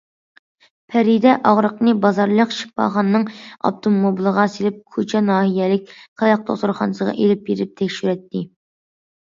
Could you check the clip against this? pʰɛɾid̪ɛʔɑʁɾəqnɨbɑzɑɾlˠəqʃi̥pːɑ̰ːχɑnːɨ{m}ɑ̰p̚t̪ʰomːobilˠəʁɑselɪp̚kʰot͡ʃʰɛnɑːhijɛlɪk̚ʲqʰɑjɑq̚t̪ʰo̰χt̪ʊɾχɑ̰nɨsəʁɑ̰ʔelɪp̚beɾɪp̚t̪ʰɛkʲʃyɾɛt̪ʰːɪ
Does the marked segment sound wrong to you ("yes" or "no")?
yes